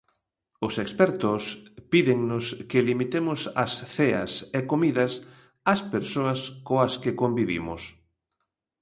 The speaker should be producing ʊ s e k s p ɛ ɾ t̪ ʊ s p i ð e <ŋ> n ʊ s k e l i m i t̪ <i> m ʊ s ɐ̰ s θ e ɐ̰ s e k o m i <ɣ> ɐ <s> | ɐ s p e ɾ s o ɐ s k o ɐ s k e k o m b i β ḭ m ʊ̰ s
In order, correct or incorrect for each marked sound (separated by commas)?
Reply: correct, incorrect, incorrect, correct